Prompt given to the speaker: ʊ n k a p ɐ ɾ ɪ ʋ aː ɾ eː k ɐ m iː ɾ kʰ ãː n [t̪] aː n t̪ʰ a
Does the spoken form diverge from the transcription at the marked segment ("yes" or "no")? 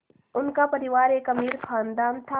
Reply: yes